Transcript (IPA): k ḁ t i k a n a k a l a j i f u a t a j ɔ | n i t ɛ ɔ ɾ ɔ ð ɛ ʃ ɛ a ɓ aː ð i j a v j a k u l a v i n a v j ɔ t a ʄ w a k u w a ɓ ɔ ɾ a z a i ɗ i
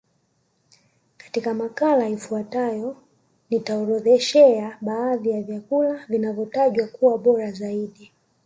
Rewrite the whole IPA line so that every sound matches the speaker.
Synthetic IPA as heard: k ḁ t i k a m a k a l a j i f u a t a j ɔ | n i t a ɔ ɾ ɔ ð ɛ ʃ ɛ a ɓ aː ð i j a v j a k u l a v i n a v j ɔ t a ʄ w a k u w a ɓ ɔ ɾ a z a i ɗ i